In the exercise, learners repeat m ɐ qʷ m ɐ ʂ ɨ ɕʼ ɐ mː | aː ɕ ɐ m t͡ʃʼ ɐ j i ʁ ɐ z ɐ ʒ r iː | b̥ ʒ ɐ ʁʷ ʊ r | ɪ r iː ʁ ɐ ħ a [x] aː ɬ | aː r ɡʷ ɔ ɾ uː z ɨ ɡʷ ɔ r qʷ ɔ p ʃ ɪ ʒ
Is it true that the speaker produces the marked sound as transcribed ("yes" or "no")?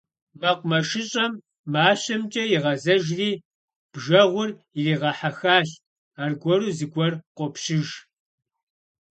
yes